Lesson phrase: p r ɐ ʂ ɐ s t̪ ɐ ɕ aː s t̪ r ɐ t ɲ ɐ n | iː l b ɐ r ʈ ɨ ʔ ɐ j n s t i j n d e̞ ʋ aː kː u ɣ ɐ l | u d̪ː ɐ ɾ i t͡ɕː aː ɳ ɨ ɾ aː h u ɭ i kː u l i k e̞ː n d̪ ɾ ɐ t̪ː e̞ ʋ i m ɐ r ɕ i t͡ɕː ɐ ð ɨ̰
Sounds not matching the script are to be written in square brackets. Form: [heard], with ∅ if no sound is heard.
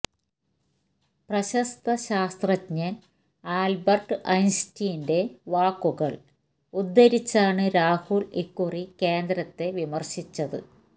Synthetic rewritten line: p r ɐ [ɕ] ɐ s t̪ ɐ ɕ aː s t̪ r ɐ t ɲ ɐ n | [aː] l b ɐ r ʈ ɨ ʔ ɐ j n s t i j n d e̞ ʋ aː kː u ɣ ɐ [ɭ] | u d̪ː ɐ ɾ i t͡ɕː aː ɳ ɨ ɾ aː h u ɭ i kː u [r] i k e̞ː n d̪ ɾ ɐ t̪ː e̞ ʋ i m ɐ r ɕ i t͡ɕː ɐ ð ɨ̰